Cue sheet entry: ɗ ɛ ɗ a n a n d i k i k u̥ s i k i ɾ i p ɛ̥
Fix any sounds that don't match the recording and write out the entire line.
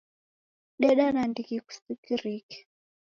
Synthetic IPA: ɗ ɛ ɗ a n a n d i k i k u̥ s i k i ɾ i k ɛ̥